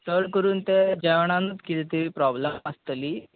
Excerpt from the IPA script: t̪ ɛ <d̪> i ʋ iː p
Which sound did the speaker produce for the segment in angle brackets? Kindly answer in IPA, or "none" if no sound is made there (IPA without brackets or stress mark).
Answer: t̪